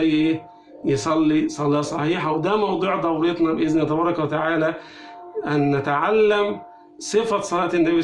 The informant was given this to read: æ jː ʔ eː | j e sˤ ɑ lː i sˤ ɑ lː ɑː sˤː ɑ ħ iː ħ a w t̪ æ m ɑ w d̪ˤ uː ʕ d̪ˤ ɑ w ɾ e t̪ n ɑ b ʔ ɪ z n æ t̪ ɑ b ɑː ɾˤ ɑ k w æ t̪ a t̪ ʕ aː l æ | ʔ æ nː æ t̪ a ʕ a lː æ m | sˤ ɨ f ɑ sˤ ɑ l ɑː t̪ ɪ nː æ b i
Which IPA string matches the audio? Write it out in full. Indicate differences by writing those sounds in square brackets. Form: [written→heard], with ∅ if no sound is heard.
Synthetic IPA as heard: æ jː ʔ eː | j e sˤ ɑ lː i sˤ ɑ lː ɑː [sˤː→sˤ] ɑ ħ iː ħ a w [t̪→d̪] æ m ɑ w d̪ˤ uː ʕ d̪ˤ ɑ w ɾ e t̪ n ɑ b ʔ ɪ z n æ t̪ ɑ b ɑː ɾˤ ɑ k w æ t̪ a [t̪→∅] ʕ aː l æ | ʔ æ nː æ t̪ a ʕ a lː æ m | sˤ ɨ f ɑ sˤ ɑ l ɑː t̪ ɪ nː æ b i